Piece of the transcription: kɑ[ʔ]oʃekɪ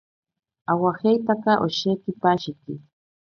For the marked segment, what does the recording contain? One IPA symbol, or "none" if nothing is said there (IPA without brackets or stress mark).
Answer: ʔ